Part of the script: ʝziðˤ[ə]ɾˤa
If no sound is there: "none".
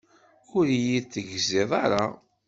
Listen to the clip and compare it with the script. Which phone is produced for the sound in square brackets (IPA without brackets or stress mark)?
ɑ